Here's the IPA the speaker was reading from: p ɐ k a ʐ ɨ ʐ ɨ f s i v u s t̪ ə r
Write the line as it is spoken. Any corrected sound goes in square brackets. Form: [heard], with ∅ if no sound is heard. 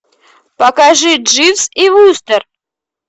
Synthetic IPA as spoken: p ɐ k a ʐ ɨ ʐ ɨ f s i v u s t̪ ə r